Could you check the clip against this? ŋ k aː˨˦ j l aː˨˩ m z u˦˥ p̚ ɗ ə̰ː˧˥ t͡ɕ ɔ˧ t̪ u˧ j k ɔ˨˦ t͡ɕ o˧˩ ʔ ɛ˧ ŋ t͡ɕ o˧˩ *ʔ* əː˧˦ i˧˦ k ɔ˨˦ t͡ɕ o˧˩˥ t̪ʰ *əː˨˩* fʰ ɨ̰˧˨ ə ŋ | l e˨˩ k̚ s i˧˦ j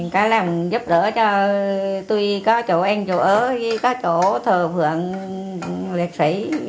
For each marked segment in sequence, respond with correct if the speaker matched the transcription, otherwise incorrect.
correct, correct

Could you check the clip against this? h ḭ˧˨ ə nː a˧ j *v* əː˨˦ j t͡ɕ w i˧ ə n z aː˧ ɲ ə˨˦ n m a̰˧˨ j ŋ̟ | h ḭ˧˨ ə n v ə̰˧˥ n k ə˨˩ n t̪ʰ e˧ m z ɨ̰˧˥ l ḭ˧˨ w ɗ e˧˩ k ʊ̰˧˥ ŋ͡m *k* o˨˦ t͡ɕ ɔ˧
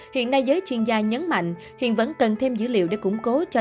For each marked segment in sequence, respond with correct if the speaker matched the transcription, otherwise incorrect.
incorrect, correct

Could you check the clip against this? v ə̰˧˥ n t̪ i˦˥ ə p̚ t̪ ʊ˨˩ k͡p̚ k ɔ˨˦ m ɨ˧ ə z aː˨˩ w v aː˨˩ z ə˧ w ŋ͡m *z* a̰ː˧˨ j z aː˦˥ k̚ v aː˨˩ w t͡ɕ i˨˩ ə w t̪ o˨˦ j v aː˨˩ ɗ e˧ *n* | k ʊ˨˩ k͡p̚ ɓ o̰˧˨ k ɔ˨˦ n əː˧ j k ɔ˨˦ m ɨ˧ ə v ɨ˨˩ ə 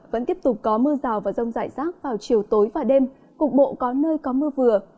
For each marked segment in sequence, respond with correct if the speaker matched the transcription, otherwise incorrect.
correct, incorrect

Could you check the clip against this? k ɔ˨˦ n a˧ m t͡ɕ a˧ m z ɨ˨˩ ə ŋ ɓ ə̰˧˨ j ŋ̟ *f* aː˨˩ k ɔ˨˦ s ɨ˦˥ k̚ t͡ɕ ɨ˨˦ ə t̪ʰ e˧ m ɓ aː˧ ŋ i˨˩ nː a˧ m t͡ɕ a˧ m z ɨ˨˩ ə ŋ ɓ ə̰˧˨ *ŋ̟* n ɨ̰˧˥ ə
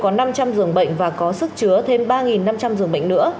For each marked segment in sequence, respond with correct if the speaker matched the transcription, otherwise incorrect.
incorrect, correct

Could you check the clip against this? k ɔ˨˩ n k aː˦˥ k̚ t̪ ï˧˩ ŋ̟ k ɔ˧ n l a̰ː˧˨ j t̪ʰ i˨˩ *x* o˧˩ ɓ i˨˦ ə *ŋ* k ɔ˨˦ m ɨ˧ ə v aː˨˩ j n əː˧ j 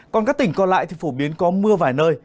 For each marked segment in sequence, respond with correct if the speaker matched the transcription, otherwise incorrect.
incorrect, incorrect

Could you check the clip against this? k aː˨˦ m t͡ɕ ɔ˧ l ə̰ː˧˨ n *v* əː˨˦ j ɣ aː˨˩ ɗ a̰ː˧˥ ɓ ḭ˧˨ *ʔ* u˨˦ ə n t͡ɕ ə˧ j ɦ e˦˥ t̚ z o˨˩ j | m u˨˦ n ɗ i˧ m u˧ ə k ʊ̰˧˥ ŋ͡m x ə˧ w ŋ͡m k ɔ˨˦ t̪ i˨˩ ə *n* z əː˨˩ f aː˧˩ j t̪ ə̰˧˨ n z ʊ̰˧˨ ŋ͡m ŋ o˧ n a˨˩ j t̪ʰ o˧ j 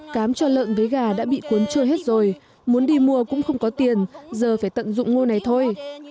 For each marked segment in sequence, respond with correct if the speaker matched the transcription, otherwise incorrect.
correct, incorrect, correct

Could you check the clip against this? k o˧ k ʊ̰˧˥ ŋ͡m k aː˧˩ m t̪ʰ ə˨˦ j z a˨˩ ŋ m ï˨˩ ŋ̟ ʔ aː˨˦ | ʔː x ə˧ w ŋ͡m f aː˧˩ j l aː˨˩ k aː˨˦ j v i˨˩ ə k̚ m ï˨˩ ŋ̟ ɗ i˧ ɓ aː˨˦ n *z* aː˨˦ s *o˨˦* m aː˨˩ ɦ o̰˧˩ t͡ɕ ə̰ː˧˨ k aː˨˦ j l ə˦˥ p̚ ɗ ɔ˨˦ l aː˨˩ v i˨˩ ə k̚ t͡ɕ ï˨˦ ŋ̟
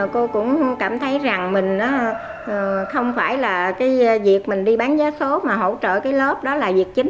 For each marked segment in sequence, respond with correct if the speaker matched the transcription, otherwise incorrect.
correct, correct

